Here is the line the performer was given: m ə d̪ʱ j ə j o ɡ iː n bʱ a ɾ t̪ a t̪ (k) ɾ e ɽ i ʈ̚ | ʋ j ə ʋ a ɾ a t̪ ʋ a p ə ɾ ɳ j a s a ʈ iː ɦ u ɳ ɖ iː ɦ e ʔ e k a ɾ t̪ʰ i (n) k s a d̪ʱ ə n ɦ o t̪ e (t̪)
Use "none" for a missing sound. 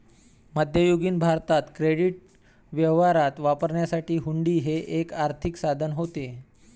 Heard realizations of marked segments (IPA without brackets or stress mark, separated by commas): k, none, none